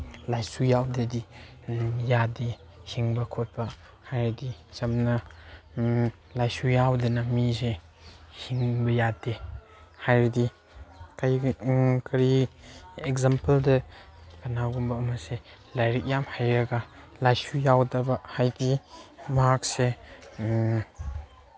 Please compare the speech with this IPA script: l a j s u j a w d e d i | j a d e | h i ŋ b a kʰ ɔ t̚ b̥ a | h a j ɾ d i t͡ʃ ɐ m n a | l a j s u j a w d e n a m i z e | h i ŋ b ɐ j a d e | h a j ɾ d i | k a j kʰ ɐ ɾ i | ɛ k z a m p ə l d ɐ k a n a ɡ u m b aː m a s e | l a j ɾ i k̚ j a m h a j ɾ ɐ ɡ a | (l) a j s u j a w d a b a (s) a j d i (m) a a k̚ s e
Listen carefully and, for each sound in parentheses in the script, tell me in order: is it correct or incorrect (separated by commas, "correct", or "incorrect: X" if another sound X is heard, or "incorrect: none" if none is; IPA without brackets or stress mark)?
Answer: correct, incorrect: h, correct